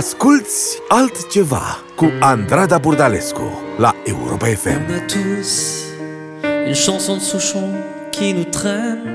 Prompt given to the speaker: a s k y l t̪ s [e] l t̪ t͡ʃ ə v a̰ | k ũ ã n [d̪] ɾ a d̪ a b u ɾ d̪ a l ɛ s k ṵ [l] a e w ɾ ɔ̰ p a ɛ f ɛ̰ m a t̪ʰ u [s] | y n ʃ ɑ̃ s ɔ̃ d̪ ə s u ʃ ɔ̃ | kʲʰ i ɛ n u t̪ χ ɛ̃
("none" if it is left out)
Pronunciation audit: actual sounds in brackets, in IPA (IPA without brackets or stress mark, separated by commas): a, d̪, l, s